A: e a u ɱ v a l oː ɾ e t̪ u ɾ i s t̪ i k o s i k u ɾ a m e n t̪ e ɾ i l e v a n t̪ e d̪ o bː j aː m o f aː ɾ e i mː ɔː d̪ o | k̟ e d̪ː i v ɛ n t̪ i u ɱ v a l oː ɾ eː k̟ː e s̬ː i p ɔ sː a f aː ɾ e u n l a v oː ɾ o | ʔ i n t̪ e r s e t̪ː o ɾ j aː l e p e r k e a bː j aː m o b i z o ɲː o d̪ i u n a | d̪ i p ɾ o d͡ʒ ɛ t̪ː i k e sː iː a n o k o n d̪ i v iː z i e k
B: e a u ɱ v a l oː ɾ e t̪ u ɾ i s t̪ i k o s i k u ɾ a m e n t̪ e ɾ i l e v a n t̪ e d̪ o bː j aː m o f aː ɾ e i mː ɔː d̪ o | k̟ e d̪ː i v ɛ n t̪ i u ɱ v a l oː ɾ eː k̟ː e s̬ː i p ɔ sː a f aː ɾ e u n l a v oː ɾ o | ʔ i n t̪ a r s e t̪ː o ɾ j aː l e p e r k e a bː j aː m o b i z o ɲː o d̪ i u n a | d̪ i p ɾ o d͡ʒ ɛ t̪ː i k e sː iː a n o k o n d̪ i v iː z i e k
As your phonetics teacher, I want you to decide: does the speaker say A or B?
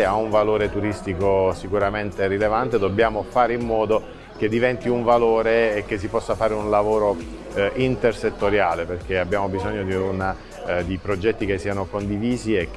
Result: A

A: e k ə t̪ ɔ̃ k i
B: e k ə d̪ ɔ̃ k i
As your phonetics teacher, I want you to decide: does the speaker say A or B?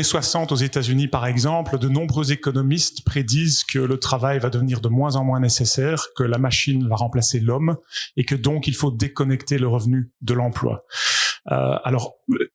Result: B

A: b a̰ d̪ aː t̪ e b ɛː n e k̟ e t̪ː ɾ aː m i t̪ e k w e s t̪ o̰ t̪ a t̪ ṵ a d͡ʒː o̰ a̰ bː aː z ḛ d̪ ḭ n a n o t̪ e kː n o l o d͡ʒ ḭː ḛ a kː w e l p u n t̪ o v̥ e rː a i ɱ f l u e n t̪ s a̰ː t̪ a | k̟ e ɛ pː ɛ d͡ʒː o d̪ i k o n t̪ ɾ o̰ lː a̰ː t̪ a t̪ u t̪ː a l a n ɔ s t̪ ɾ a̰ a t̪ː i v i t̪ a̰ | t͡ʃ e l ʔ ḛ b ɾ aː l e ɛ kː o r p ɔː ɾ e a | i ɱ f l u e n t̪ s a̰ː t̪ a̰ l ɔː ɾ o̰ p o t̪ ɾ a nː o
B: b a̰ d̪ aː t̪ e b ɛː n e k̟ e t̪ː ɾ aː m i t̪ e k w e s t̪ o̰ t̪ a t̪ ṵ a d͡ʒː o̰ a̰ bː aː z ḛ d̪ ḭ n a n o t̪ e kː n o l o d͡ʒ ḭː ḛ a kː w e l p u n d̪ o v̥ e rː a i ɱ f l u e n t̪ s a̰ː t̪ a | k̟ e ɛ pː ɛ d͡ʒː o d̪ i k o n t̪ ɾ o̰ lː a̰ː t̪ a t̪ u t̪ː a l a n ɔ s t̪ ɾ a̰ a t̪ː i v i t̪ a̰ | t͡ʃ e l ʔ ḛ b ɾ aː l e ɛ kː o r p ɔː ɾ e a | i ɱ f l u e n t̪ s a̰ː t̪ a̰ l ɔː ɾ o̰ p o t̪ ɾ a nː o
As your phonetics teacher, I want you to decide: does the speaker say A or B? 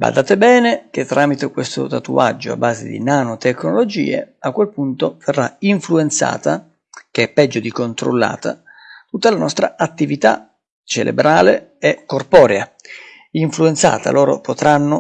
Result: A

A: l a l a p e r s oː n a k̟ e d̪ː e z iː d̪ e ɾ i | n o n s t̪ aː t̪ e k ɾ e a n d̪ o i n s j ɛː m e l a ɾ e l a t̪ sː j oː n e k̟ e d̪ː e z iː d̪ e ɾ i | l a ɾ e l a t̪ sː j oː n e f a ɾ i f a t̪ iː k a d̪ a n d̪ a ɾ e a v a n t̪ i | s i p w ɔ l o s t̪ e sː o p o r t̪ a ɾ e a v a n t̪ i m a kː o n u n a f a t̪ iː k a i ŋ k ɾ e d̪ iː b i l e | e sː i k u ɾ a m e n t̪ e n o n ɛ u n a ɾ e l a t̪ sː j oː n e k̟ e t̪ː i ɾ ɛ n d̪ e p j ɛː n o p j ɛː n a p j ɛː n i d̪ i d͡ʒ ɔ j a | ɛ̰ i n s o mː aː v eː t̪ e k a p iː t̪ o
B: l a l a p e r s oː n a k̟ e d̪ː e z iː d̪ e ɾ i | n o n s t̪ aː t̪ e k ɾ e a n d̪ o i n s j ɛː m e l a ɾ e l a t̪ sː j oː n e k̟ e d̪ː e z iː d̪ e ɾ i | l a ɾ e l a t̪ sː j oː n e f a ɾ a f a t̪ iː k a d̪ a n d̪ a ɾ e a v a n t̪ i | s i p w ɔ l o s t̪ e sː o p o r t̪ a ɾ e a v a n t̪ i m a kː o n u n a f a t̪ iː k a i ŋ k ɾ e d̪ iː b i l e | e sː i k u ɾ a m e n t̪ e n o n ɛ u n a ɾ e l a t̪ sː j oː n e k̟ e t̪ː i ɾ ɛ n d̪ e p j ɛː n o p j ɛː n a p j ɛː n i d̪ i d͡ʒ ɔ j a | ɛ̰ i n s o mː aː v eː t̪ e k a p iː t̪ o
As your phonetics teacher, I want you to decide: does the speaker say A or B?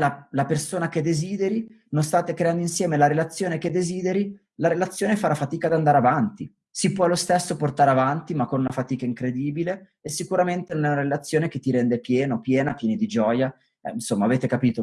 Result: B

